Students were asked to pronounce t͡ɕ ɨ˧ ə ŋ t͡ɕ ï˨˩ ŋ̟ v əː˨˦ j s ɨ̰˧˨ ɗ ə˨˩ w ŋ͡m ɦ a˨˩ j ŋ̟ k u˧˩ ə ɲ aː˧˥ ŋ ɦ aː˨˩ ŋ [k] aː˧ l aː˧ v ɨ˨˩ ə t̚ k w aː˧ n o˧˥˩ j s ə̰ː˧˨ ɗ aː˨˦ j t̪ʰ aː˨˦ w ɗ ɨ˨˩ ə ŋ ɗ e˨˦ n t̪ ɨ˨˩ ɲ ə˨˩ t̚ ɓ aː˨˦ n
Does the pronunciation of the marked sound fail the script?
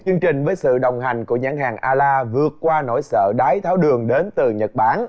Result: yes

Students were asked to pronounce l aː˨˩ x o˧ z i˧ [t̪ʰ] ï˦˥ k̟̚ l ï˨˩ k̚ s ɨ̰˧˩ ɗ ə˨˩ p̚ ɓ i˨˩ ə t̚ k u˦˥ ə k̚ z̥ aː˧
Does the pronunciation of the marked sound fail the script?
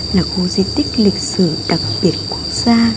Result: yes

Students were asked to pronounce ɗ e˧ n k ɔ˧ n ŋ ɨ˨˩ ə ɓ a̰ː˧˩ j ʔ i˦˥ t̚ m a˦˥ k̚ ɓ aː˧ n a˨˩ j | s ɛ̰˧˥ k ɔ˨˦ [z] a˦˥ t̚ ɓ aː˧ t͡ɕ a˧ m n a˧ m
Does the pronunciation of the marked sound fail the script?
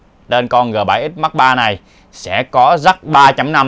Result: no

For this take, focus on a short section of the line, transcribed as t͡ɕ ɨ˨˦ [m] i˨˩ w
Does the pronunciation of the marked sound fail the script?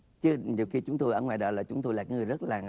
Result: yes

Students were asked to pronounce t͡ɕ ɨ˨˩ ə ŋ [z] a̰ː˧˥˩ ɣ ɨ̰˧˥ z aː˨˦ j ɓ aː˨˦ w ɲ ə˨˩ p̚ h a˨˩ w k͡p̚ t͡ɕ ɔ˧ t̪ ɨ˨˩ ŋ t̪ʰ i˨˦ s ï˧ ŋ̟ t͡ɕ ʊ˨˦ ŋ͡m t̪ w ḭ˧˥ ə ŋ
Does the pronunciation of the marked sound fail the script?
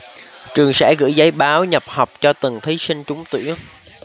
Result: yes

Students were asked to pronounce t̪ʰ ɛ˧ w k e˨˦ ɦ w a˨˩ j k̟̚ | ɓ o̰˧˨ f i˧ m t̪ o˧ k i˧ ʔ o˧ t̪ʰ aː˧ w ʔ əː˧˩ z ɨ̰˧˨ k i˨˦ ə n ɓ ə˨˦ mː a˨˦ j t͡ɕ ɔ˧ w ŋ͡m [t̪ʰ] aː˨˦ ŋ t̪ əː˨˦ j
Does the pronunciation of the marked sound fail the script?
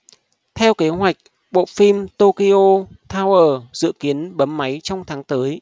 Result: no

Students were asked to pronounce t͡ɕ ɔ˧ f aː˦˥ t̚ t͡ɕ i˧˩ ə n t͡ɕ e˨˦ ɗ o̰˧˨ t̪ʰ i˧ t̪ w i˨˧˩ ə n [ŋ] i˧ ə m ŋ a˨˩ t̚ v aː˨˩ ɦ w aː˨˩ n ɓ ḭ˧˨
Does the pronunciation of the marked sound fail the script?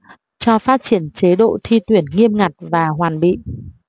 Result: no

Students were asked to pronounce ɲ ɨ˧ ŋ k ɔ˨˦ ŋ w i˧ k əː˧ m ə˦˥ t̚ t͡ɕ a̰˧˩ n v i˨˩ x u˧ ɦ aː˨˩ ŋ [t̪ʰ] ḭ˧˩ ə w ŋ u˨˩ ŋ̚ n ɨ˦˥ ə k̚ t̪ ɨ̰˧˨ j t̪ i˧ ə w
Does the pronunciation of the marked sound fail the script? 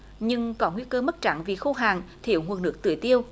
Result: no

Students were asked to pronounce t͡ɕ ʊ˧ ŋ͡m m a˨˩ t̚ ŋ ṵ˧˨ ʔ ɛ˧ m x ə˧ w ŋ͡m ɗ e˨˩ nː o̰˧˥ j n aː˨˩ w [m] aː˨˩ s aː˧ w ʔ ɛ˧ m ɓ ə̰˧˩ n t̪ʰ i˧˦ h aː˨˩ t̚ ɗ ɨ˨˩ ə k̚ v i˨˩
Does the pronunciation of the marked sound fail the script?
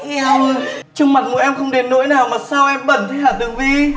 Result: no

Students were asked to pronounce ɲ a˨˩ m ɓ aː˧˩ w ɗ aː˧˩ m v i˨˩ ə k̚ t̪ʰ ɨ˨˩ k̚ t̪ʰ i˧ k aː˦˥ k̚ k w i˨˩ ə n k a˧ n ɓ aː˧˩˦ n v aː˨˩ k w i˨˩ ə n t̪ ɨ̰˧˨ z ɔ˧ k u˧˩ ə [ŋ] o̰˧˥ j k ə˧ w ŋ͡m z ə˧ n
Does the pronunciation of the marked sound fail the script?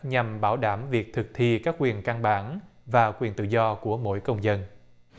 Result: yes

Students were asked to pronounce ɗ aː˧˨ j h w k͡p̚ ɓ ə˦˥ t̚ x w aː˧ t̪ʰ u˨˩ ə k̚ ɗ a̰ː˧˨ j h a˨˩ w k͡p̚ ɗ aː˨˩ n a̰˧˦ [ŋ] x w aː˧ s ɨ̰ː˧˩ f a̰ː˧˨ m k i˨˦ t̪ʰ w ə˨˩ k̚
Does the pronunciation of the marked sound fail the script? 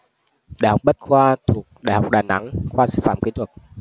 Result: no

